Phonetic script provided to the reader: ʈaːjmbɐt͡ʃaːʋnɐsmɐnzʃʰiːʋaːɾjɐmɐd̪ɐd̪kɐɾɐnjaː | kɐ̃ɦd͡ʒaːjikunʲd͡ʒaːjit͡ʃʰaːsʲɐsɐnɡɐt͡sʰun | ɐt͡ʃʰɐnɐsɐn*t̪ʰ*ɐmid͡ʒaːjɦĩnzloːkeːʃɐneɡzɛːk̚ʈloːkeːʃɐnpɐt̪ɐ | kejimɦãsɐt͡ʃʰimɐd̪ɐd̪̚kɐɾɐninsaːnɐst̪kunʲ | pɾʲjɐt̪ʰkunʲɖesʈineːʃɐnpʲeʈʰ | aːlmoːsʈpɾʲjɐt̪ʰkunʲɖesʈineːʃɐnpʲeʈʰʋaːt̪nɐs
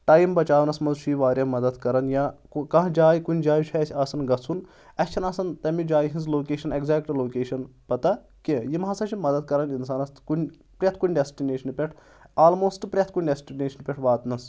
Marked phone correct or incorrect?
incorrect